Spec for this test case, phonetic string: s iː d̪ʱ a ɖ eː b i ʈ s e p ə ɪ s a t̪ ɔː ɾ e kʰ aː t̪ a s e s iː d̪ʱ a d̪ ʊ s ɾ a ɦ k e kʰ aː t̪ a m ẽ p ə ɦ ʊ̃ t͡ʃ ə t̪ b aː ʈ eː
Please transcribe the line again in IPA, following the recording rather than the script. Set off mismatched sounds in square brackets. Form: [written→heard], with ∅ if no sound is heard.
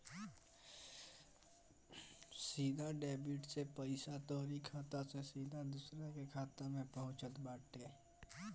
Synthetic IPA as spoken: s iː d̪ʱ a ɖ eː b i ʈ s e p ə ɪ s a t̪ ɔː ɾ [e→i] kʰ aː t̪ a s e s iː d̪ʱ a d̪ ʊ s ɾ a [ɦ→∅] k e kʰ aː t̪ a m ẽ p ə ɦ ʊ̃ t͡ʃ ə t̪ b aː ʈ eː